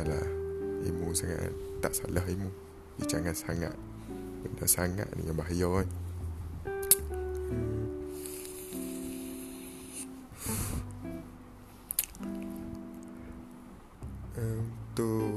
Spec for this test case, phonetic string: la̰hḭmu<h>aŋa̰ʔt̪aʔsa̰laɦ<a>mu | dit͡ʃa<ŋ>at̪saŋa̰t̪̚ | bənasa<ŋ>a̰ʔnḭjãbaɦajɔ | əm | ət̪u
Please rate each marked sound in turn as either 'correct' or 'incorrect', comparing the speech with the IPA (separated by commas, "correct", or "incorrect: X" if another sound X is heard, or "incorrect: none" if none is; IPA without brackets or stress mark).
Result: incorrect: s, incorrect: i, correct, correct